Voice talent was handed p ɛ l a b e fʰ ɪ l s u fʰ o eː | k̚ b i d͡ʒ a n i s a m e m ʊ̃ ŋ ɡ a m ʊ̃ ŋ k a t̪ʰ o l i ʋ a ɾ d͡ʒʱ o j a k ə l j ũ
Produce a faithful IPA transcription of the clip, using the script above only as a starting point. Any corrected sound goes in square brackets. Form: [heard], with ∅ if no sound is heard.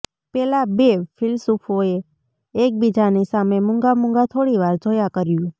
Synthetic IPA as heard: p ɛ l a b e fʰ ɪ l s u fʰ o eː | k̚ b i d͡ʒ a n i s a m e m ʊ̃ ŋ ɡ a m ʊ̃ ŋ [ɡ] a t̪ʰ o [ɽ] i ʋ a ɾ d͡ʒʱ o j a k ə [ɾ] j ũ